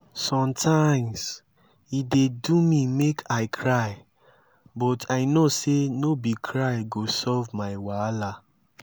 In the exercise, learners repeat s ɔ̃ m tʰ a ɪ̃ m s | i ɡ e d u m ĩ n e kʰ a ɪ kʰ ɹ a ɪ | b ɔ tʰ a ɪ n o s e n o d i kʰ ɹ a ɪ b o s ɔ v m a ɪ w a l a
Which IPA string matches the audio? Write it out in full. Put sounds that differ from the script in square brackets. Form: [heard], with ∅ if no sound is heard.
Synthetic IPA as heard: s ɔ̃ m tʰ a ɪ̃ m s | i [d] e d u m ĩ [m] e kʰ a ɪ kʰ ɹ a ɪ | b ɔ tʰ a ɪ n o s e n o [b] i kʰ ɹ a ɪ [ɡ] o s ɔ v m a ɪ w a l a